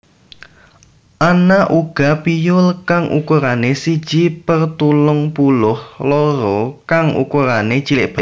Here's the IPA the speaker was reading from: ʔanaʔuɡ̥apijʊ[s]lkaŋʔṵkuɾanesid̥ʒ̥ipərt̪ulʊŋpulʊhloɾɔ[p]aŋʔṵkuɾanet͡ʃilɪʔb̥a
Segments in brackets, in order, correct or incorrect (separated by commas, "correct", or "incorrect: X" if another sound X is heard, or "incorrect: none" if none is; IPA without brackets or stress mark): incorrect: none, incorrect: k